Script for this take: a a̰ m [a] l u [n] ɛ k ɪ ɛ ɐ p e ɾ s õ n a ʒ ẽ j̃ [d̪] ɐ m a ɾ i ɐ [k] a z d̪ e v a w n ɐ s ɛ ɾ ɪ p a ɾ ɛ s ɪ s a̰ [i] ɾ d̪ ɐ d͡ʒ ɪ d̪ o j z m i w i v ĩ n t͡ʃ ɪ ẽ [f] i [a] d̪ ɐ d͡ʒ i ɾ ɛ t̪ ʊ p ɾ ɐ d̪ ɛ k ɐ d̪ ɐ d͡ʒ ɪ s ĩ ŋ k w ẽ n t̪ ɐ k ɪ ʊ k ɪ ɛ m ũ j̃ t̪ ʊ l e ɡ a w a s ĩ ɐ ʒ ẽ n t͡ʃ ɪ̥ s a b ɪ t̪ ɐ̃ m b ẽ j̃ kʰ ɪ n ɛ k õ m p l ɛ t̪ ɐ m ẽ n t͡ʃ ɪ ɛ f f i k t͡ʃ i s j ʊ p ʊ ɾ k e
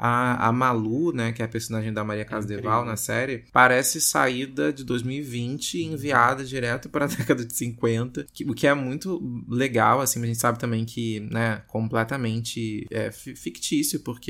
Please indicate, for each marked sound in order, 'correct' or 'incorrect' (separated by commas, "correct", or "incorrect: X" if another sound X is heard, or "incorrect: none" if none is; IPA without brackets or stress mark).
correct, correct, correct, correct, correct, incorrect: v, correct